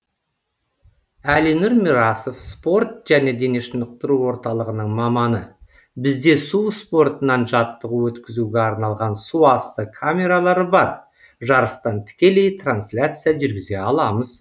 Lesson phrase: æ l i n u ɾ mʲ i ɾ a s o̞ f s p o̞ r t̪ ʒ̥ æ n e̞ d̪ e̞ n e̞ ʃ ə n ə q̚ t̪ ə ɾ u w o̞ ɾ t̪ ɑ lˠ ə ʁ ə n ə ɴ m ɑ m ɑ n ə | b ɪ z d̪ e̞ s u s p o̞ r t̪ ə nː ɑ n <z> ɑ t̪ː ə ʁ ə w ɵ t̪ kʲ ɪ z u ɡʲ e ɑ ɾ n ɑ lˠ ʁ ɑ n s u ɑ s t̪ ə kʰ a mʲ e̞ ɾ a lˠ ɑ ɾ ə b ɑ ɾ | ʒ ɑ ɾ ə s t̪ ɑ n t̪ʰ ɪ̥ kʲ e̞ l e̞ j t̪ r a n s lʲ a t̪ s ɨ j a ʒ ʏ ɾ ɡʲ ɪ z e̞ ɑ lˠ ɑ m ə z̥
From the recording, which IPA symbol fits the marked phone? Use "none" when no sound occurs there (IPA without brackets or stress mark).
ʒ